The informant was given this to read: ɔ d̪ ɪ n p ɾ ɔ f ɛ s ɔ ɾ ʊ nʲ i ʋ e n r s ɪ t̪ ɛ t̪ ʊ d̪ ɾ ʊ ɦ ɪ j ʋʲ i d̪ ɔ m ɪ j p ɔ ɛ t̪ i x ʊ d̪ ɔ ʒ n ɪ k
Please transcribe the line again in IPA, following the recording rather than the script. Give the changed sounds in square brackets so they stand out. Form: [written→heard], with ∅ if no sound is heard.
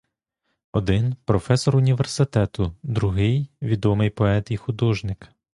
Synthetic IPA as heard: ɔ d̪ ɪ n p ɾ ɔ f ɛ s ɔ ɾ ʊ nʲ i ʋ e [n→∅] r s ɪ t̪ ɛ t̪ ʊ d̪ ɾ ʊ ɦ ɪ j ʋʲ i d̪ ɔ m ɪ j p ɔ ɛ t̪ i x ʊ d̪ ɔ ʒ n ɪ k